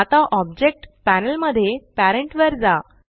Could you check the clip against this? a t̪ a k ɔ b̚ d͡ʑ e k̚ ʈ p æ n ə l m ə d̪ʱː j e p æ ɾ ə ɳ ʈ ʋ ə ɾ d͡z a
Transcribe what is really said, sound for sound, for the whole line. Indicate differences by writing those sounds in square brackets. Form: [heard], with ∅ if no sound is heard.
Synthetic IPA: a t̪ a [ʔ] ɔ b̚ d͡ʑ e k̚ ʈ p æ n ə l m ə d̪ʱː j e p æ ɾ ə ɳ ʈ ʋ ə ɾ d͡z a